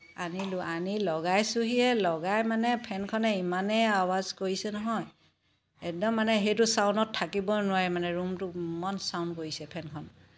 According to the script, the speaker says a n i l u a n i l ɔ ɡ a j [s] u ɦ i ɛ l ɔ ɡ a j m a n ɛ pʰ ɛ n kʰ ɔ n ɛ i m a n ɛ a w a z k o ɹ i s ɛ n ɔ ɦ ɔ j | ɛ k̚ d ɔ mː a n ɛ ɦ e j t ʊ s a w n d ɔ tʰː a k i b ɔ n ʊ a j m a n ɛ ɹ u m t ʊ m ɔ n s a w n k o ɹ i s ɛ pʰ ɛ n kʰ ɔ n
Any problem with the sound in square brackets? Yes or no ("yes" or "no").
no